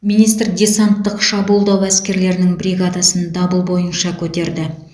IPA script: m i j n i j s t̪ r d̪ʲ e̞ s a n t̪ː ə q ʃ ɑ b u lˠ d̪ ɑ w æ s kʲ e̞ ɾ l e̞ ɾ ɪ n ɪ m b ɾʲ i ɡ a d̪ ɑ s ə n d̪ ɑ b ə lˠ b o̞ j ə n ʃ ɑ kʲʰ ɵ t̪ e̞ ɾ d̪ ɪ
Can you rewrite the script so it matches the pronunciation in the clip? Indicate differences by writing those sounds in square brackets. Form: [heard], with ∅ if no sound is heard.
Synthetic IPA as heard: m i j n i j s t̪ r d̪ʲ e̞ s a n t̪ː ə q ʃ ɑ b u lˠ d̪ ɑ w æ s kʲ e̞ ɾ l e̞ ɾ ɪ n ɪ [ŋ] b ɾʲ i ɡ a d̪ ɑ s ə n d̪ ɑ b ə lˠ b o̞ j ə n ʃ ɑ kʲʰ ɵ t̪ e̞ ɾ d̪ ɪ